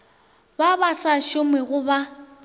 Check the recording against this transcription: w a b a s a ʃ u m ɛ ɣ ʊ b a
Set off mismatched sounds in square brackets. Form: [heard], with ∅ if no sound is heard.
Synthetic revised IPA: [b] a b a s a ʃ [ʊ] m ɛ ɣ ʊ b a